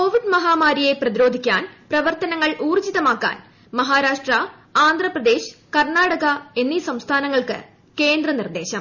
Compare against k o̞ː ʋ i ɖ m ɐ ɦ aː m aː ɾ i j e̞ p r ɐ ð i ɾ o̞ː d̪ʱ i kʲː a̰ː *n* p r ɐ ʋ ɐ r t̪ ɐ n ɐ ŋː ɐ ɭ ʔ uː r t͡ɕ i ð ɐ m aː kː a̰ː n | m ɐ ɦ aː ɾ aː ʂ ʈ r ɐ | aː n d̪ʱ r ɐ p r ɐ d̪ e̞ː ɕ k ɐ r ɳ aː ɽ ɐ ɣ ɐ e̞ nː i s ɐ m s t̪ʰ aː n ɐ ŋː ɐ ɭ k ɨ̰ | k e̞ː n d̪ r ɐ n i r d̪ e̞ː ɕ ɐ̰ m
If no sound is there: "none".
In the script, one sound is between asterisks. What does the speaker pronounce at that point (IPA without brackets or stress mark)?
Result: n